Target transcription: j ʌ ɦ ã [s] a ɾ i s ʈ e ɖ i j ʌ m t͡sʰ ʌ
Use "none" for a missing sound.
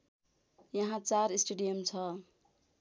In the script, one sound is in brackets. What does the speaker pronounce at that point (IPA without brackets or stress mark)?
t͡s